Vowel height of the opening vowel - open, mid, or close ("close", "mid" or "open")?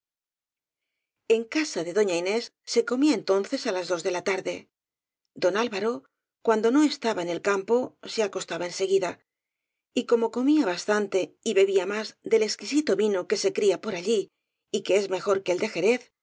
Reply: mid